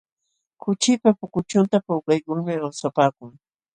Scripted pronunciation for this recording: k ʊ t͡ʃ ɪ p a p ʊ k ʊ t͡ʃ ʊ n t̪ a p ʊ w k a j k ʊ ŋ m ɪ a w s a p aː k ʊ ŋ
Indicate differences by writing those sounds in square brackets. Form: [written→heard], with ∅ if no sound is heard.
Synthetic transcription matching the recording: k ʊ t͡ʃ ɪ p a p ʊ k ʊ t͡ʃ ʊ n t̪ a p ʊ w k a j k ʊ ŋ m ɪ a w s a p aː k ʊ ŋ